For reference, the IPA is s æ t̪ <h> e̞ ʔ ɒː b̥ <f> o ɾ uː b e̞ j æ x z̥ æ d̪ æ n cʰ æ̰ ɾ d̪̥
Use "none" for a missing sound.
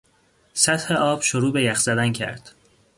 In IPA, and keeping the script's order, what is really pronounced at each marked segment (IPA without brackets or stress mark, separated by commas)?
h, ʃ